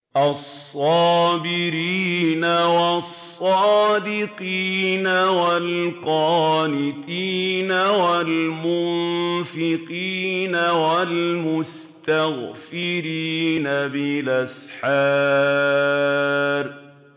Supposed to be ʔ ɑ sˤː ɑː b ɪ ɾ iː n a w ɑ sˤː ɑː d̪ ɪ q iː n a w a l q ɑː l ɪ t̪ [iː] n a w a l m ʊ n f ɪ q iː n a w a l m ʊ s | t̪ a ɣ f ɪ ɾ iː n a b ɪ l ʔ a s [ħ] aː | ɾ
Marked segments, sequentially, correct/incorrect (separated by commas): correct, correct